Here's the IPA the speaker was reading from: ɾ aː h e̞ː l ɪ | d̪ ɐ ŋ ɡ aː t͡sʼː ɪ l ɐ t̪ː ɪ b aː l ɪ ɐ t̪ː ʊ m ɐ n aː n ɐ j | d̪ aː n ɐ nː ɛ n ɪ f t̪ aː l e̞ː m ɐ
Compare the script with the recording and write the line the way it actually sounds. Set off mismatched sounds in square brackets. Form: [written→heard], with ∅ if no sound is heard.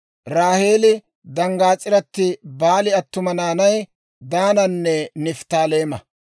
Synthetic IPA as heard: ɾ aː h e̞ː l ɪ | d̪ ɐ ŋ ɡ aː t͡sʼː ɪ [l→ɾ] ɐ t̪ː ɪ b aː l ɪ ɐ t̪ː ʊ m ɐ n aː n ɐ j | d̪ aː n ɐ nː ɛ n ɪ f t̪ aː l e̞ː m ɐ